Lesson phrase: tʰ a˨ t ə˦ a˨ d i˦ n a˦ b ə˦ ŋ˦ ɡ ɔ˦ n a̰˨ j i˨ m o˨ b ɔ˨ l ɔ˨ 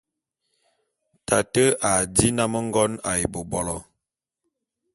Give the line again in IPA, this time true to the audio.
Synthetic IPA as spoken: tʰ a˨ t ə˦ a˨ d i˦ n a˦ m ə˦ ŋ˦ ɡ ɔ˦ n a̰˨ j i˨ b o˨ b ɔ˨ l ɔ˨